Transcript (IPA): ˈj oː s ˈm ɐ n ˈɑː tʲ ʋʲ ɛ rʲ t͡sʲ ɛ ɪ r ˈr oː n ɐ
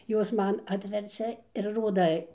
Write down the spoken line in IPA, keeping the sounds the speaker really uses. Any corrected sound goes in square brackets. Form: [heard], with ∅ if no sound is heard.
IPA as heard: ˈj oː s ˈm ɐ n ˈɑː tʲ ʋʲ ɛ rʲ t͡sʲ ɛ ɪ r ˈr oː [d] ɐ